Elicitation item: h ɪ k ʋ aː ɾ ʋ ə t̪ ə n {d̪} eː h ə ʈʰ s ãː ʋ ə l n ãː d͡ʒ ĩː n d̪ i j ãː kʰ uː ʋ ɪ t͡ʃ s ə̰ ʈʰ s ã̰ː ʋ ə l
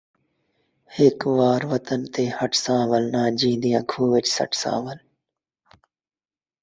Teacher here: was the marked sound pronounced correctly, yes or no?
no